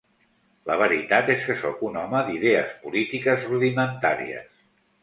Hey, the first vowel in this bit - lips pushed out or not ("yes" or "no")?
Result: no